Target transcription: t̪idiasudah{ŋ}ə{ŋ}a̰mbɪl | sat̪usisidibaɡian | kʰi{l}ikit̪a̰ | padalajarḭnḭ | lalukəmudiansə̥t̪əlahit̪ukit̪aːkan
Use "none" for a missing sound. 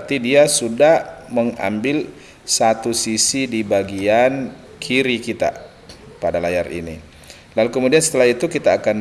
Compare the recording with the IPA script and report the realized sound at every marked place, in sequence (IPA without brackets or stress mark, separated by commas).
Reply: m, ŋ, ɾ